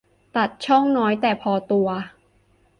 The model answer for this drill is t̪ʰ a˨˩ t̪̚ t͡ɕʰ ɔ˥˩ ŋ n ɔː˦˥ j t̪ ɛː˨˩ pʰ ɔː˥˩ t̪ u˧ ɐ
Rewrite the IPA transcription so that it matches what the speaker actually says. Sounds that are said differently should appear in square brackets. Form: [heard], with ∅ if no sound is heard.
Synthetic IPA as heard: [t̪] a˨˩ t̪̚ t͡ɕʰ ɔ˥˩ ŋ n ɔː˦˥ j t̪ ɛː˨˩ pʰ [ɔː˧] t̪ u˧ ɐ